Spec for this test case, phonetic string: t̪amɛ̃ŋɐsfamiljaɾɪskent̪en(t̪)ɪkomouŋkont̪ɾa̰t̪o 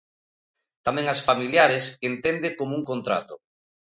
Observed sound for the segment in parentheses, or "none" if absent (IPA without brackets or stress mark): d̪